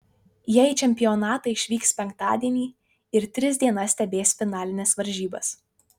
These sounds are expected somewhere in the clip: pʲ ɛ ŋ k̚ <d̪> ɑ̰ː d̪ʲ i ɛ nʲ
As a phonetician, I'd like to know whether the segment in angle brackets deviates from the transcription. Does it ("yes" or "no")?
yes